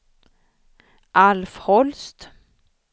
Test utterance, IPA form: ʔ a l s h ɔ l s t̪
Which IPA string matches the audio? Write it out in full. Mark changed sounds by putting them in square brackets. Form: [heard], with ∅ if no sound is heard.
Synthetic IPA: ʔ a l [f] h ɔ l s t̪